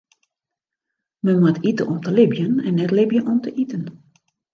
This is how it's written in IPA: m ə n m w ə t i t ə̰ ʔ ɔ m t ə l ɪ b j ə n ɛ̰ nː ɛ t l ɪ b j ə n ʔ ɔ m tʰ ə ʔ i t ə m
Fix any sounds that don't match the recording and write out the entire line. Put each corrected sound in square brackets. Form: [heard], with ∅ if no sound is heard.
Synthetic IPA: m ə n m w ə t i t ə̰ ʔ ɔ m t ə l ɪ b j ə n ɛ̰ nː ɛ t l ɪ b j ə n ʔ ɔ m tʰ ə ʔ i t ə [n]